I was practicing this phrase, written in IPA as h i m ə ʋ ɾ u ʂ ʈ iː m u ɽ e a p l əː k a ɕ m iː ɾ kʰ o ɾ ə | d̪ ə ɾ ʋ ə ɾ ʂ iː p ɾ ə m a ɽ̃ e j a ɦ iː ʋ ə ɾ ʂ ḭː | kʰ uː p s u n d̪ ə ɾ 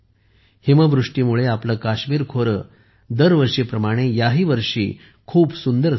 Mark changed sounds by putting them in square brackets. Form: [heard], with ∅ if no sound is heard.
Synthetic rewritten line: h i m ə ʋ ɾ u ʂ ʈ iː m u [ɭ] e a p l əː k a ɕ m iː ɾ kʰ o ɾ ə | d̪ ə ɾ ʋ ə ɾ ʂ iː p ɾ ə m a ɽ̃ e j a ɦ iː ʋ ə ɾ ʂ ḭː | kʰ uː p s u n d̪ ə ɾ